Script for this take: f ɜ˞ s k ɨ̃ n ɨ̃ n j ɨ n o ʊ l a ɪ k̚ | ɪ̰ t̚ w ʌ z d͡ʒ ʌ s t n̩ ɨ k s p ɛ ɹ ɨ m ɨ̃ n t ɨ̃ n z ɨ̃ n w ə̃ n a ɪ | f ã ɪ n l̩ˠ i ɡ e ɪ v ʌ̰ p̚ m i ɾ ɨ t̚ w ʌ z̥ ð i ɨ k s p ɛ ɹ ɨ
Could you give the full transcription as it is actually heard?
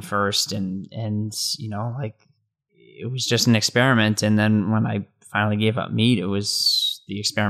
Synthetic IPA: f ɜ˞ s t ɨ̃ n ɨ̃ n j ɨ n o ʊ l a ɪ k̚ | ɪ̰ t̚ w ʌ z d͡ʒ ʌ s t n̩ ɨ k s p ɛ ɹ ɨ m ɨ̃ n t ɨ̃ n ð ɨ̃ n w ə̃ n a ɪ | f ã ɪ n l̩ˠ i ɡ e ɪ v ʌ̰ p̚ m i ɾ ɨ t̚ w ʌ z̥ ð i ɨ k s p ɛ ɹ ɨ